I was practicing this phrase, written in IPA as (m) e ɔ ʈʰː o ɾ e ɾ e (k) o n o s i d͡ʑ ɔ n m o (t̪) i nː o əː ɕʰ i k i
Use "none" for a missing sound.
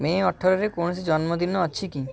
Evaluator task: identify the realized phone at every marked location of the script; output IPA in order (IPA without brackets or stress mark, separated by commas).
m, k, d̪